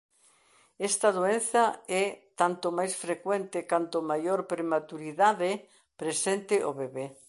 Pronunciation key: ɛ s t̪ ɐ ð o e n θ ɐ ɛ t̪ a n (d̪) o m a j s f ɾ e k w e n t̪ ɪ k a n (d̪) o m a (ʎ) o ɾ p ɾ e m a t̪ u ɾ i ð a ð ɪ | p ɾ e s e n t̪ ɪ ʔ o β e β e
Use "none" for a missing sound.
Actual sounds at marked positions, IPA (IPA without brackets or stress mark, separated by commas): t̪, t̪, j